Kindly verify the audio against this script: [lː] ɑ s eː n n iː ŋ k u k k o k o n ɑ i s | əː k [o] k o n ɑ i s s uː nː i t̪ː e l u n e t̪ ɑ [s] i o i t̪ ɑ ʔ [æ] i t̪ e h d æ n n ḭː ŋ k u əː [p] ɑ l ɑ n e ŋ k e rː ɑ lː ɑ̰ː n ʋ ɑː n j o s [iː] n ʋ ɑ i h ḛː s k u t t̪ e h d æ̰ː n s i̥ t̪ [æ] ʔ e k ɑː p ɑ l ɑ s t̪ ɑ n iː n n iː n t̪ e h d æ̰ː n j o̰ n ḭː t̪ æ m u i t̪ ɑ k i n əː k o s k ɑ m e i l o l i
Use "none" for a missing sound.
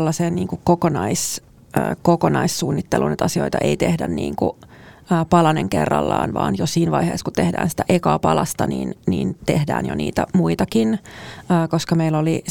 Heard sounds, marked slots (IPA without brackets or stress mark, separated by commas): lː, o, s, e, p, iː, æ